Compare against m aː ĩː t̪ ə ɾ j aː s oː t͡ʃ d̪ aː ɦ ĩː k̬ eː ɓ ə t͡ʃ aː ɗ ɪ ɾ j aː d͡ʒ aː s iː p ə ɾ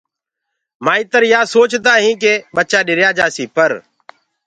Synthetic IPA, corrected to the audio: m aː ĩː t̪ ə ɾ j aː s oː t͡ʃ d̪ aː ɦ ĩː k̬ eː ɓ ə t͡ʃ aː ɗ ɪ ɾ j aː d͡ʒ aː s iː p ə ɾ